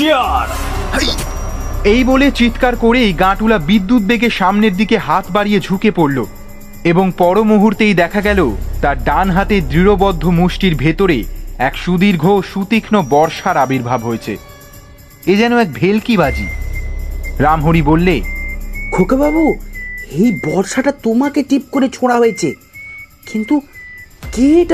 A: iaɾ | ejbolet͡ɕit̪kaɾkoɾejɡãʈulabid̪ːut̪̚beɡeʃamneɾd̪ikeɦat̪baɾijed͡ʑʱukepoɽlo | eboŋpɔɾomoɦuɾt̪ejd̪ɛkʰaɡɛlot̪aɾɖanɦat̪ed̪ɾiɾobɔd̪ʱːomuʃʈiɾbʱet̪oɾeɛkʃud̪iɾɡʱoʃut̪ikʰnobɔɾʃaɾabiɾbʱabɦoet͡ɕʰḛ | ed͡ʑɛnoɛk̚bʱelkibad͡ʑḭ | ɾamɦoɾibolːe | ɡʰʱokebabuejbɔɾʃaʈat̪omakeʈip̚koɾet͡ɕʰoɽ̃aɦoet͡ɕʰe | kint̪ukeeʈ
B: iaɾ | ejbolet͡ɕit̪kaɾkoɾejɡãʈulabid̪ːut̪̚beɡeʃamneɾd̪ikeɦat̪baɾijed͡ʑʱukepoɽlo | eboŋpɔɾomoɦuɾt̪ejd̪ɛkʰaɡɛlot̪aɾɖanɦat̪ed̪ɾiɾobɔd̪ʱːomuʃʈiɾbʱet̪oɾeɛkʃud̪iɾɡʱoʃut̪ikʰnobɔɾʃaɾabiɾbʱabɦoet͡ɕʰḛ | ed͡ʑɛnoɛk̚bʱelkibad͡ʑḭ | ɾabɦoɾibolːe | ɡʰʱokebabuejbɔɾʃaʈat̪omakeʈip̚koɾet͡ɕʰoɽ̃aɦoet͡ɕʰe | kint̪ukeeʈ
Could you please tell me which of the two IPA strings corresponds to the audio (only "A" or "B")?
A